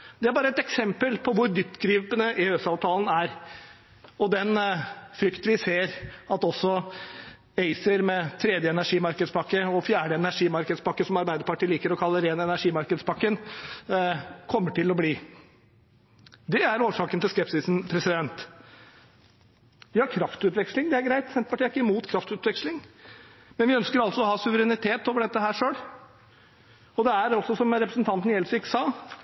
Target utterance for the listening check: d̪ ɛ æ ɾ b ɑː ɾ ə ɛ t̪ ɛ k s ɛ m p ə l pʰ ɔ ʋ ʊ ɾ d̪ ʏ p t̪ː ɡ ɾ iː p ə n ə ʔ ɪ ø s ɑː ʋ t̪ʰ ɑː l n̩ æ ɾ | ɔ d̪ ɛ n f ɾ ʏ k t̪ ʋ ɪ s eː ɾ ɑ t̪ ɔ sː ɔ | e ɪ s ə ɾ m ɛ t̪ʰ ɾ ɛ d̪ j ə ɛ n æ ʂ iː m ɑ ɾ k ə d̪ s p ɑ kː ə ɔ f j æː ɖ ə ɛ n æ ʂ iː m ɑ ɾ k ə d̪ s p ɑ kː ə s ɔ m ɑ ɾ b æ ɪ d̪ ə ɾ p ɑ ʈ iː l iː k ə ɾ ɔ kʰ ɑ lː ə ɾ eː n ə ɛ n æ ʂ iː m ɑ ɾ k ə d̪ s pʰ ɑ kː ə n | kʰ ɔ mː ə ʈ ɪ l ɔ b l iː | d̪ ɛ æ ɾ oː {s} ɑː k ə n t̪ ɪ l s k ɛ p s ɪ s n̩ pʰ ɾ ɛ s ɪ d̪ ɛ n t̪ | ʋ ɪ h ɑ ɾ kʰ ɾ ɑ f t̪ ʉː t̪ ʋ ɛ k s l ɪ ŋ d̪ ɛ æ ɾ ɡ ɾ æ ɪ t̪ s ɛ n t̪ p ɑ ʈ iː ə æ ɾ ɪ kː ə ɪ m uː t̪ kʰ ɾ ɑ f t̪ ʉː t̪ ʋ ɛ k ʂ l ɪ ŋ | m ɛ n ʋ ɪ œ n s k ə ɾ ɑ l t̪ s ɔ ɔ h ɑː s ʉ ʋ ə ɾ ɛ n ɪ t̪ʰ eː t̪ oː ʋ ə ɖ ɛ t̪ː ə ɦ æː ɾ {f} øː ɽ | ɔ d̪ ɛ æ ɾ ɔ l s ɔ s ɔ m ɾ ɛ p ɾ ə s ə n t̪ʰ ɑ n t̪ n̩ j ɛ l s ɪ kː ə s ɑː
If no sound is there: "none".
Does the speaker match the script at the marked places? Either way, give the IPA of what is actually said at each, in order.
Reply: ʂ, ʂ

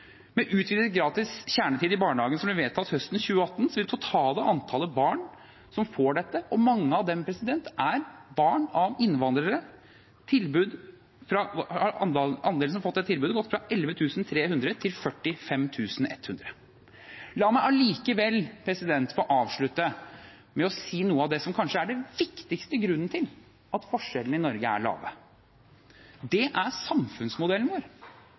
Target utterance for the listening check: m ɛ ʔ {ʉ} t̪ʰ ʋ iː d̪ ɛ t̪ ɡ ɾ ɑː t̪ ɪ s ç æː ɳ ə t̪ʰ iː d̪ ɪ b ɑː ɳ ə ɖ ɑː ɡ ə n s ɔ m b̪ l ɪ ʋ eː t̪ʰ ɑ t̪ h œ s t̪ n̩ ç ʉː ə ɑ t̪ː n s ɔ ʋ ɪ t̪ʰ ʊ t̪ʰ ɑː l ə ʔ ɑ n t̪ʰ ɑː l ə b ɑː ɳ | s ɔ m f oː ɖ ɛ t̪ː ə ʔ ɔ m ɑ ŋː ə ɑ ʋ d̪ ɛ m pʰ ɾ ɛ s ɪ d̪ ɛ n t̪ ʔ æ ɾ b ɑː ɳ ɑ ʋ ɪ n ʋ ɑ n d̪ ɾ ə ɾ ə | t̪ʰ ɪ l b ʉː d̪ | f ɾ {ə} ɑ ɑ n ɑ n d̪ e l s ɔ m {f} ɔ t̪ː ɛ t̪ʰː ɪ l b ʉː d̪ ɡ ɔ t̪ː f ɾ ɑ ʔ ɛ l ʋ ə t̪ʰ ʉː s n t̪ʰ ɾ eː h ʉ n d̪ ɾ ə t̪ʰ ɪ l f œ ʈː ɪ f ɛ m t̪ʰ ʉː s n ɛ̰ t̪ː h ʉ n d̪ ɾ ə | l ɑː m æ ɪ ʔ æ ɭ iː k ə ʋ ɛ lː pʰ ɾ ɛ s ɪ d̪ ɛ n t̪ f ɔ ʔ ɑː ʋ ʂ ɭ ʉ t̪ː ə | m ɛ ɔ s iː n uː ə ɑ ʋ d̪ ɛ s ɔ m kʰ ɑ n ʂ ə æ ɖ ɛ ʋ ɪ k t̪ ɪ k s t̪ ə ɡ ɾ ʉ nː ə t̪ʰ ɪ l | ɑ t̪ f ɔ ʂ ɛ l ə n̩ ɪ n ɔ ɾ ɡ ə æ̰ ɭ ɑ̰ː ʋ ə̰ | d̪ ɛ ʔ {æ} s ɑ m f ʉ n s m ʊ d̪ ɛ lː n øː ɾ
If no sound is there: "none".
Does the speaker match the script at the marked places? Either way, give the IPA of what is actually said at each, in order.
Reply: ʉː, ɑ, f, æ

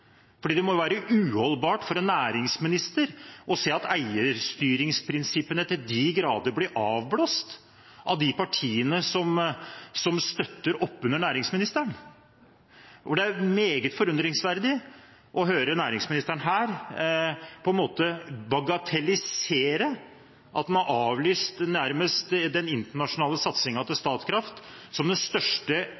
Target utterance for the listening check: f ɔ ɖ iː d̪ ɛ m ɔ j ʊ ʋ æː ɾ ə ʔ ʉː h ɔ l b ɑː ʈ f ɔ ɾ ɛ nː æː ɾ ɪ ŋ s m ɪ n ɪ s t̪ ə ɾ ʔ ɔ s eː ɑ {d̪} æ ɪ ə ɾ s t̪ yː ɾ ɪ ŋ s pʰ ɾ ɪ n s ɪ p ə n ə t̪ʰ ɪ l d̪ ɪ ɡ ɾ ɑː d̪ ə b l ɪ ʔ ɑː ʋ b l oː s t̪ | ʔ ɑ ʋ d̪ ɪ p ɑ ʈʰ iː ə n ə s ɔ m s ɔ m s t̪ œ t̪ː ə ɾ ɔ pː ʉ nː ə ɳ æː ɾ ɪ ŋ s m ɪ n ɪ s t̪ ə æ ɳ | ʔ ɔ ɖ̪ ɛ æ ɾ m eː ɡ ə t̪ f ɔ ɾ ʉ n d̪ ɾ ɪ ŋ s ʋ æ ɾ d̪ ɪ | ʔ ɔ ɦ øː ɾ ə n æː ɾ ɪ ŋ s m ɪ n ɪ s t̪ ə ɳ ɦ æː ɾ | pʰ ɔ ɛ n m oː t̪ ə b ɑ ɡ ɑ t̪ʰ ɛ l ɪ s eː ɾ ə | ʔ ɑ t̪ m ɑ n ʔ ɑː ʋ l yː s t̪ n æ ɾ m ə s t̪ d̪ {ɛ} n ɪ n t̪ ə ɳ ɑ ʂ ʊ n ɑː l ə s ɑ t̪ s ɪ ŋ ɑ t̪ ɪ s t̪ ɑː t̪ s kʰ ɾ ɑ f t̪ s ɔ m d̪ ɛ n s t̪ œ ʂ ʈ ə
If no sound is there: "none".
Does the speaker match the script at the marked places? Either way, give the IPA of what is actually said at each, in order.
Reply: t̪, ɛ

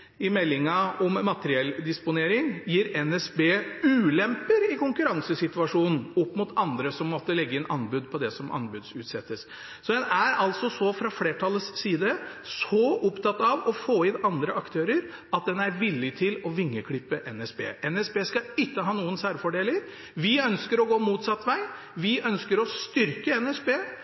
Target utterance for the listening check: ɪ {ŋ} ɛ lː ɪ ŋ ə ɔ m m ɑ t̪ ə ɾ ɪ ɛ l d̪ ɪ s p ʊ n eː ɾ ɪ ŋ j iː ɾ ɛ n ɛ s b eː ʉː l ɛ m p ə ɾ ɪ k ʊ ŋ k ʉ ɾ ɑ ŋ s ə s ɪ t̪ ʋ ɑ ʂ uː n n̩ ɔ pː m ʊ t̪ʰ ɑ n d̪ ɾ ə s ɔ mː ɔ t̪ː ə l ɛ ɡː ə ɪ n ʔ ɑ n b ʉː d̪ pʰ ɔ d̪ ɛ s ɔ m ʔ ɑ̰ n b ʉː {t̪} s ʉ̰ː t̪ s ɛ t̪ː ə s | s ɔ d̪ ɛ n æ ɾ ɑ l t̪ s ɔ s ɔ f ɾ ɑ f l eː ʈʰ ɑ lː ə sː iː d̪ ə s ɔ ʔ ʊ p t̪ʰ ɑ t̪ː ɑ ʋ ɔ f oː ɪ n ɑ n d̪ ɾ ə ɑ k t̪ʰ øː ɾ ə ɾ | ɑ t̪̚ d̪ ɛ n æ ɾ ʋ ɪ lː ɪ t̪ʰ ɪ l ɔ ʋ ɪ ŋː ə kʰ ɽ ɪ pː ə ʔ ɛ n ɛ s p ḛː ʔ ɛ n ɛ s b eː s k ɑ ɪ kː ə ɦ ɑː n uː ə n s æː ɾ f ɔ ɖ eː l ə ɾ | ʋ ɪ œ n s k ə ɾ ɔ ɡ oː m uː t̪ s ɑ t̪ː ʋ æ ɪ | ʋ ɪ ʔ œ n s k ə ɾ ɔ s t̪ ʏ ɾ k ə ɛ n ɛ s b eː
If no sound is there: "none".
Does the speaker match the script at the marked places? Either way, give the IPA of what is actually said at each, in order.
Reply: m, d̪

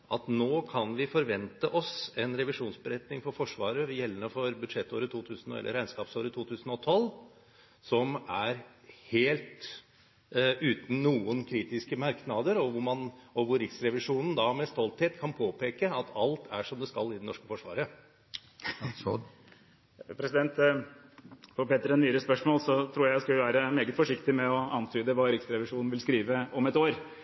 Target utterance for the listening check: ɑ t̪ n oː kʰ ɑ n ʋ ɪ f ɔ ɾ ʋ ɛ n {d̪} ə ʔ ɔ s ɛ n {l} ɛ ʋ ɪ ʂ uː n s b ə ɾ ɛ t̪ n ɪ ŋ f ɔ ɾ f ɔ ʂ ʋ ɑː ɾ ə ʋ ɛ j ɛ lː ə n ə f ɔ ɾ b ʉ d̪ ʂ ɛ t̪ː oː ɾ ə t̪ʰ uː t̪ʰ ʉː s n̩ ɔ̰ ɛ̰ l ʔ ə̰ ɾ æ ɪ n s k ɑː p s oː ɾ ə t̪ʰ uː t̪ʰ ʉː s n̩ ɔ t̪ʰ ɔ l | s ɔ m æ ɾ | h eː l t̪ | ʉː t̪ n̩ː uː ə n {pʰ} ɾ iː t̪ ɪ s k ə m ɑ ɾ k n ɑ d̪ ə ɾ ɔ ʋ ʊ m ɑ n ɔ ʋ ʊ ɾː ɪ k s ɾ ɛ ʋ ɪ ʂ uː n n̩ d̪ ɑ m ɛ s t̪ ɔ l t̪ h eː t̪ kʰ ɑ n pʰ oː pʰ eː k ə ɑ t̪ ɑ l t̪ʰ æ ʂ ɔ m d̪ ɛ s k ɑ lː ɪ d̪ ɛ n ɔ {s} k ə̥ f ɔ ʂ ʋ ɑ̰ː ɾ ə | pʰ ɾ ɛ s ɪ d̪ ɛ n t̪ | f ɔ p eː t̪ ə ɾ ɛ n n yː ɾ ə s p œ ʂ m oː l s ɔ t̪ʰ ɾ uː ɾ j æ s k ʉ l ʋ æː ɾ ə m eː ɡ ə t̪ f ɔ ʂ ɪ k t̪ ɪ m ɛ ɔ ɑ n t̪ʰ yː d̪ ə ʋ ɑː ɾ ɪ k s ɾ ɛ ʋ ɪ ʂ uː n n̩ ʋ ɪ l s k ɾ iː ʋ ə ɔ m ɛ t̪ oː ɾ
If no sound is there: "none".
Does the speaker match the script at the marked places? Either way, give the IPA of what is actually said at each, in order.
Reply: t̪, ɾ, kʰ, ʂ

